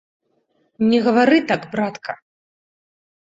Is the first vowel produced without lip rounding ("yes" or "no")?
yes